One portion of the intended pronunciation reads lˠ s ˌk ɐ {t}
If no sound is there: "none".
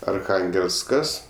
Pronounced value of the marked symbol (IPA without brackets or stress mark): s